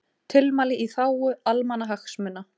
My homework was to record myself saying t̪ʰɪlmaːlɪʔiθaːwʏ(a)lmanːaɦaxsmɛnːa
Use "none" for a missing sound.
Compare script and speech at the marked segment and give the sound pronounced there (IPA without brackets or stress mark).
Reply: a